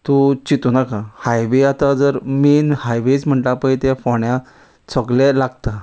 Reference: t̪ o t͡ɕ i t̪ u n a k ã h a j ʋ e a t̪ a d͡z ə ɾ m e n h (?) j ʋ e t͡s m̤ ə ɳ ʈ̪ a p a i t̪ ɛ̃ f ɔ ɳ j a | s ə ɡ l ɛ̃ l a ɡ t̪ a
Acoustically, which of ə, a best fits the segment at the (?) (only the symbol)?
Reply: a